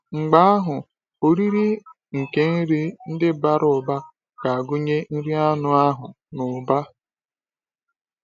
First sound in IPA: ŋ͡m̩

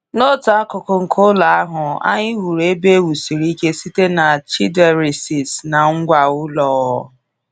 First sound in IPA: n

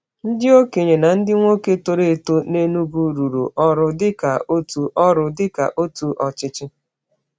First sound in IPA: n̩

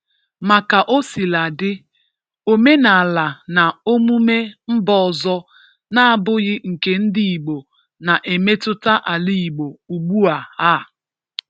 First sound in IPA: m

